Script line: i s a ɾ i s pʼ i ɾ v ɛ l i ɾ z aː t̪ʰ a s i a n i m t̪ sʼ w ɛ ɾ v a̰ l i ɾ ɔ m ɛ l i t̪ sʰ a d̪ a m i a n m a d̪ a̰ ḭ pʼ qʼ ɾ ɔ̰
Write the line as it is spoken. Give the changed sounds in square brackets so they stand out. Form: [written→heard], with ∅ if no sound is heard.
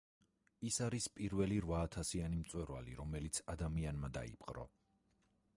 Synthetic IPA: i s a ɾ i s pʼ i ɾ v ɛ l i ɾ [z→v] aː t̪ʰ a s i a n i m t̪ sʼ w ɛ ɾ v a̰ l i ɾ ɔ m ɛ l i t̪ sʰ a d̪ a m i a n m a d̪ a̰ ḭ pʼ qʼ ɾ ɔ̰